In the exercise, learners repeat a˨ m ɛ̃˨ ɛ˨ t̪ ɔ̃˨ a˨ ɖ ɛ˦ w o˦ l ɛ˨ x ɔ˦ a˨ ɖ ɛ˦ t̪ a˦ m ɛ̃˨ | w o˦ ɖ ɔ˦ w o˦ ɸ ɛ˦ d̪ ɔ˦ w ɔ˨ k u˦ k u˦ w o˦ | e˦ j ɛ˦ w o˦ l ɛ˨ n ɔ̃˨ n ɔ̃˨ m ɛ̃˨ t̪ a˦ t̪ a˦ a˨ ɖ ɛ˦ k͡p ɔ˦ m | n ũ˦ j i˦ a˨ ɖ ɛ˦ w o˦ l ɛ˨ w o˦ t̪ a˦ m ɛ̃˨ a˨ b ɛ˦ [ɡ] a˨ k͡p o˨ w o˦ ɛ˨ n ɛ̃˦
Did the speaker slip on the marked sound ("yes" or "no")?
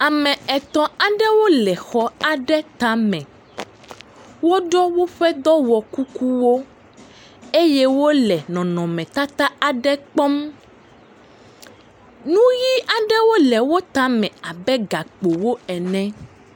no